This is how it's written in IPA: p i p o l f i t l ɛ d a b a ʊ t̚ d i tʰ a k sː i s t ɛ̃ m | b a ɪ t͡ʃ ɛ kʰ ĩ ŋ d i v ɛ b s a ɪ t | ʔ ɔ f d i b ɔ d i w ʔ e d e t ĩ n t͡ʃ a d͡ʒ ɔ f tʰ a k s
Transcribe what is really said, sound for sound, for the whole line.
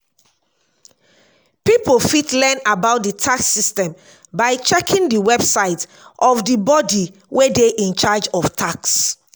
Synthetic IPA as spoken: p i p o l f i t l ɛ n a b a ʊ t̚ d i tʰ a k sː i s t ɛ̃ m | b a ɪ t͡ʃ ɛ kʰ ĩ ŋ d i w ɛ b s a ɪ t | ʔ ɔ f d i b ɔ d i w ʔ e d e ʔ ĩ n t͡ʃ a d͡ʒ ɔ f tʰ a k s